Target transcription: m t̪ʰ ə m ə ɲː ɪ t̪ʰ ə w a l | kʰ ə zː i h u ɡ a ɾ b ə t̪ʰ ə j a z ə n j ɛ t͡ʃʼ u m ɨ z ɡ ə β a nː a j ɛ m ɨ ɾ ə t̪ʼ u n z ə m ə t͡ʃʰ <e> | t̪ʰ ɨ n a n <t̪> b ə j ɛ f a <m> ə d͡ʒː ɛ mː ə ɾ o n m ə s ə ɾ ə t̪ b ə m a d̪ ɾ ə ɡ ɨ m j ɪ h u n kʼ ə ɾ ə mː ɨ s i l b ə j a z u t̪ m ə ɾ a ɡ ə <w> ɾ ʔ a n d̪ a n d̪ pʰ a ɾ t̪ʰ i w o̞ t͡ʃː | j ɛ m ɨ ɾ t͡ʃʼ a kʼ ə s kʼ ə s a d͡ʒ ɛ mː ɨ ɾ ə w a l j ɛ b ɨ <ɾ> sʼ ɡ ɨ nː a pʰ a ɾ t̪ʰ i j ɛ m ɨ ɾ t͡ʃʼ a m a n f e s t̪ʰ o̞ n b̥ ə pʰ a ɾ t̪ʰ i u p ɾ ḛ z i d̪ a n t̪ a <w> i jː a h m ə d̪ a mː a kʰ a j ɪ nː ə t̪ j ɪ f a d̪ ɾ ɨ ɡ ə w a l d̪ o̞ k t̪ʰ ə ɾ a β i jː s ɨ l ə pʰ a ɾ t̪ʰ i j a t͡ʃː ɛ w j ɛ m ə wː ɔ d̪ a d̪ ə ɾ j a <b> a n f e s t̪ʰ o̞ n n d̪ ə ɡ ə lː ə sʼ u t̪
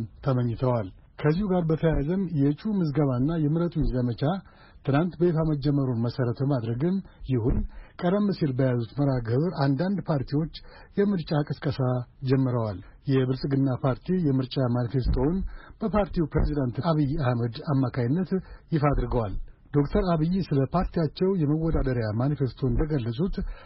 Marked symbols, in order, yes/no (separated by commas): no, yes, yes, no, no, no, no